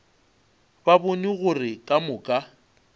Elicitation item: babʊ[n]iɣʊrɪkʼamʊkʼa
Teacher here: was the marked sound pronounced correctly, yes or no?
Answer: yes